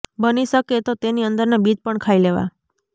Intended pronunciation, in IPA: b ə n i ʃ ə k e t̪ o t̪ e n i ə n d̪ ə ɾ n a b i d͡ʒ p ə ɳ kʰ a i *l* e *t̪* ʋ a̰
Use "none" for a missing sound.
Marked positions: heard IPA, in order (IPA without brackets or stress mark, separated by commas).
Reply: l, none